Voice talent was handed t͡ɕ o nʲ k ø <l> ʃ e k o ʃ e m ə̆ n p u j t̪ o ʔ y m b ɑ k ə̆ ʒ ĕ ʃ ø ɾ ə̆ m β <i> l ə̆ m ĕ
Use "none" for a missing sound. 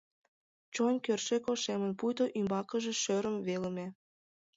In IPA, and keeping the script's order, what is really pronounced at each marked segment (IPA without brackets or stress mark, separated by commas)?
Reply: r, e